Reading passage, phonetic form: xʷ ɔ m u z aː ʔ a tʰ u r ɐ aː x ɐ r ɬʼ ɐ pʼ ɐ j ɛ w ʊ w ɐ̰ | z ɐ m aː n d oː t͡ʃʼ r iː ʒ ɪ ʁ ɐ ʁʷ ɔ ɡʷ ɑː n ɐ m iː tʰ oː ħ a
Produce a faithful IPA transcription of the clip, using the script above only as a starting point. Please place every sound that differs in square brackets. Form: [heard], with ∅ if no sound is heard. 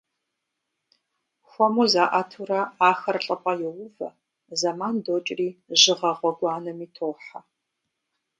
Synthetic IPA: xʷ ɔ m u z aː ʔ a tʰ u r ɐ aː x ɐ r ɬʼ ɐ pʼ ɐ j ɛ w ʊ [v] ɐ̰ | z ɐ m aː n d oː t͡ʃʼ r iː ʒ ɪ ʁ ɐ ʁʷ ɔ ɡʷ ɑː n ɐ m iː tʰ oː ħ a